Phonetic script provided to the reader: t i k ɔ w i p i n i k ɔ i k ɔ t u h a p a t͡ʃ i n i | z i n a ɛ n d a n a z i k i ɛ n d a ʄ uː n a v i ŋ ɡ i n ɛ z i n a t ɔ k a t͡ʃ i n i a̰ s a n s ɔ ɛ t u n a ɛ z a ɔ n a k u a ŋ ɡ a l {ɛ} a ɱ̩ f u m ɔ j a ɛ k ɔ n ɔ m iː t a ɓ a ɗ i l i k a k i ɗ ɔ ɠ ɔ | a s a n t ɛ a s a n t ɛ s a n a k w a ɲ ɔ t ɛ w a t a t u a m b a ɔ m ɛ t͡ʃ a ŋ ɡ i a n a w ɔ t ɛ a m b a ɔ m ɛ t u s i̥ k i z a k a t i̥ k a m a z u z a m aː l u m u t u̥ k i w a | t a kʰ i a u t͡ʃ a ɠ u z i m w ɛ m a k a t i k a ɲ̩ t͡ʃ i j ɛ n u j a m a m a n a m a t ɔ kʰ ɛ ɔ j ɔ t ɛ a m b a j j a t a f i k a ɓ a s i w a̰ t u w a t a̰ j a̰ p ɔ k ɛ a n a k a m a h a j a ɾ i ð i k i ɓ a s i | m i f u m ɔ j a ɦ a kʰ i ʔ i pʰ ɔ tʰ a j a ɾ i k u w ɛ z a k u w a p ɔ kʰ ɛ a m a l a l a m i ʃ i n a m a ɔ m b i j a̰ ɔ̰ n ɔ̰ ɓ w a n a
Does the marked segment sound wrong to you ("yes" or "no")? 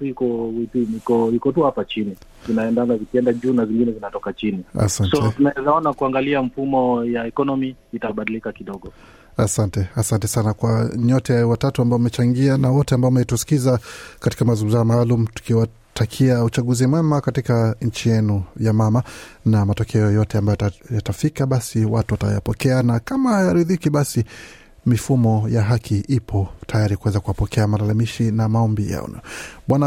yes